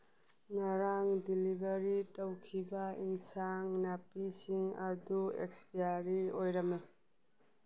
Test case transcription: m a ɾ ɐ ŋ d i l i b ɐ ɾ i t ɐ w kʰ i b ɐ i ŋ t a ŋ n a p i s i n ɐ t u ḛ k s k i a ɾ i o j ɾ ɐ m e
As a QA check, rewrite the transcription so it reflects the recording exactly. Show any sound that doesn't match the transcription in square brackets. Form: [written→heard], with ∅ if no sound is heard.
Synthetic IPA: [m→ŋ] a ɾ [ɐ→a] ŋ d i l i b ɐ ɾ i t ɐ w kʰ i b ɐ i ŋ [t→s] a ŋ n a p i s i [n→ŋ] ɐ [t→d] u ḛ k s [k→p] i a ɾ i o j ɾ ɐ m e